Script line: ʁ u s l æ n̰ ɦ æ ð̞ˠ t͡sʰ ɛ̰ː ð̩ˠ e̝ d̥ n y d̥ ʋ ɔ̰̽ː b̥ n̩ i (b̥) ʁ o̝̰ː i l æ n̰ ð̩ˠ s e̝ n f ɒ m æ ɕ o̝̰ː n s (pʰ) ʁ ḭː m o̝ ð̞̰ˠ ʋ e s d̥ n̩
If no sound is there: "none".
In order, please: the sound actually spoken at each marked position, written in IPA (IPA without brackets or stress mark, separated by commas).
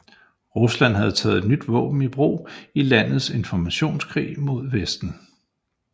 b̥, kʰ